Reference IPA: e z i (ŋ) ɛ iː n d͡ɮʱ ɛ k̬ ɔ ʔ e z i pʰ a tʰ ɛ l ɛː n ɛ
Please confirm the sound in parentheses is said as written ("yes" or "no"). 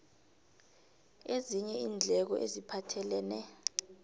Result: no